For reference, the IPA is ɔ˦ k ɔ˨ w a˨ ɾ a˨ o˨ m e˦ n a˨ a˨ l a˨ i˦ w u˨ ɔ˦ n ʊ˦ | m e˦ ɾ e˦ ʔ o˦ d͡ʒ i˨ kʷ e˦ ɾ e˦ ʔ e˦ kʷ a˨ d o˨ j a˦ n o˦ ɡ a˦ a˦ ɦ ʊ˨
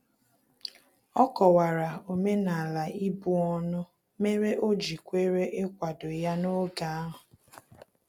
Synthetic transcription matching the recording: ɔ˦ k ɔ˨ w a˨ ɾ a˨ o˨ m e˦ n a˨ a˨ l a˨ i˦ b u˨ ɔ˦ n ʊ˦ | m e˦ ɾ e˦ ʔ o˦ d͡ʒ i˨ kʷ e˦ ɾ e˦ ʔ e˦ kʷ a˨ d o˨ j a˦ n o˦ ɡ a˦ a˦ ɦ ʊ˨